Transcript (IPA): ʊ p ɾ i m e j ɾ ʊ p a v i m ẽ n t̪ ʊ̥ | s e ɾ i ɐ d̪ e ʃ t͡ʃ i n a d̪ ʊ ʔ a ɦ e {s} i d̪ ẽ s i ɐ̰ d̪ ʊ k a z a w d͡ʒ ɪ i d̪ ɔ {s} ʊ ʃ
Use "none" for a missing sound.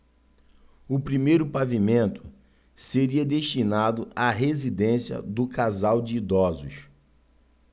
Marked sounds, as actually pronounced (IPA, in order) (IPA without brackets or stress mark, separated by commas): z, z